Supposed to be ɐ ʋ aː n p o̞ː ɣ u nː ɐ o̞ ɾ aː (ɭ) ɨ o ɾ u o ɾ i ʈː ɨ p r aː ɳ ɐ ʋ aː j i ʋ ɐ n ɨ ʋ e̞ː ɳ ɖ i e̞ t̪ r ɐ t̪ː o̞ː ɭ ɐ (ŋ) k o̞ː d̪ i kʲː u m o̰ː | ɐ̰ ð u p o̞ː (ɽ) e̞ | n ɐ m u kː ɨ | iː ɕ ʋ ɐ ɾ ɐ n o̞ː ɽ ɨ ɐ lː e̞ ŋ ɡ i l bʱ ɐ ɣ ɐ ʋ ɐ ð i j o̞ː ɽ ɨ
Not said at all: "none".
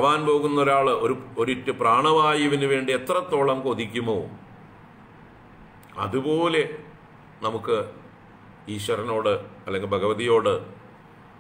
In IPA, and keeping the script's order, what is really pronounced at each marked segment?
ɭ, m, l

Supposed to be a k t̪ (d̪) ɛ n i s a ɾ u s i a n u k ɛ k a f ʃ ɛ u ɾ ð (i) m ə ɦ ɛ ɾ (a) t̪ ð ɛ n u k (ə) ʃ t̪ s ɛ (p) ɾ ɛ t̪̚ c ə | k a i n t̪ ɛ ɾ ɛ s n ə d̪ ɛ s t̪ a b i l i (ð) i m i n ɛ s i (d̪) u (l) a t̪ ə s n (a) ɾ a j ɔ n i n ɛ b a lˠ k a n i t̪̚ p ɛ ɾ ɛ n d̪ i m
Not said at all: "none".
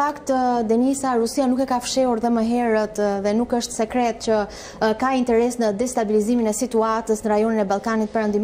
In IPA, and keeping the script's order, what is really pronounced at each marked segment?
d̪, ɛ, ə, ə, k, z, t̪, none, ə

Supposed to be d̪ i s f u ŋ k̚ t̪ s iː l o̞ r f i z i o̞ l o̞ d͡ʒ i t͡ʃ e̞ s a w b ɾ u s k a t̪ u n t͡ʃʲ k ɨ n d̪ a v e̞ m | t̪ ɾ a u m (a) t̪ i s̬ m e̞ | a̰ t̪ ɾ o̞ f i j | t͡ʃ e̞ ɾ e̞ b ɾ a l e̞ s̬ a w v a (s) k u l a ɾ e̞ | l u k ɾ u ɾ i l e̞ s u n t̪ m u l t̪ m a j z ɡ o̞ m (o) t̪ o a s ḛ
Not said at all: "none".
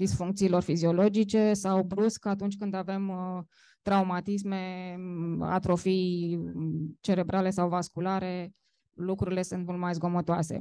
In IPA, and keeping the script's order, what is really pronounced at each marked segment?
a, s, o

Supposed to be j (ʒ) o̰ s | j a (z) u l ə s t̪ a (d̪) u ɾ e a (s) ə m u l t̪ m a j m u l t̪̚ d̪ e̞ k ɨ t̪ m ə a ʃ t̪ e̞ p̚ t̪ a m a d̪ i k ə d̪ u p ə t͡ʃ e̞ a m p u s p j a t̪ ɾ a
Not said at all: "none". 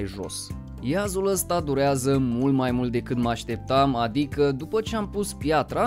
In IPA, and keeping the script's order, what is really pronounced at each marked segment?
ʒ, z, d̪, z

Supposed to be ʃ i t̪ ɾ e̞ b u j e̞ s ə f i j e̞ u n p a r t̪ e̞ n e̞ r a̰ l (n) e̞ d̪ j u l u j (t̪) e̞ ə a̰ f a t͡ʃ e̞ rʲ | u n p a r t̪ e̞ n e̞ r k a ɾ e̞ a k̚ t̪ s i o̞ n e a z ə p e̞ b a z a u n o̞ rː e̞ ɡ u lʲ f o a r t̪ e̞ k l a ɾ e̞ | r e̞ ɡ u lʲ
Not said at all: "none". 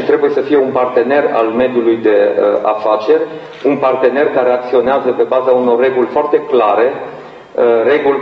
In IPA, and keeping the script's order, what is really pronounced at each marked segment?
m, d̪

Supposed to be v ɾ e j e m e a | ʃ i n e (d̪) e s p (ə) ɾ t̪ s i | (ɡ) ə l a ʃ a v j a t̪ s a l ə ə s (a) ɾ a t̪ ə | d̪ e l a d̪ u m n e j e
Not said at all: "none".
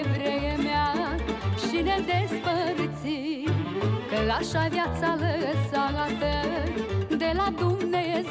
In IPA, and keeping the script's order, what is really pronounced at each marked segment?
d̪, ə, k, a

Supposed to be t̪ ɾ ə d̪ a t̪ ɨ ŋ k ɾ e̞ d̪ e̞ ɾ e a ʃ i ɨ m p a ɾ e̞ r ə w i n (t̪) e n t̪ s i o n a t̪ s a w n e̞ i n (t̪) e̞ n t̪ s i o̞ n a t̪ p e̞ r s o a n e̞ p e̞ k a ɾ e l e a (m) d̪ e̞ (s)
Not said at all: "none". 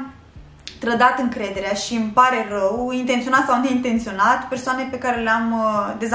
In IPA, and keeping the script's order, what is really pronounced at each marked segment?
t̪, t̪, m, z

